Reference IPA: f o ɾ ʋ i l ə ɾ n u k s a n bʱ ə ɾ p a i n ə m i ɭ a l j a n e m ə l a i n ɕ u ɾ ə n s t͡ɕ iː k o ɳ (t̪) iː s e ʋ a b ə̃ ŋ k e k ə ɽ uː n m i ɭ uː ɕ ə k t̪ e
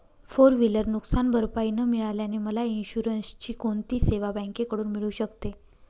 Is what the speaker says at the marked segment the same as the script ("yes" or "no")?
yes